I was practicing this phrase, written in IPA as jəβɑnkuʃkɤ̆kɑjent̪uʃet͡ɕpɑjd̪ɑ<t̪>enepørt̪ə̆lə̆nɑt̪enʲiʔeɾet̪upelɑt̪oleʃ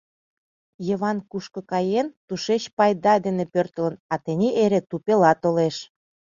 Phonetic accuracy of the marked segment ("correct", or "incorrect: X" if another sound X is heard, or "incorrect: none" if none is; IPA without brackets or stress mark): incorrect: d̪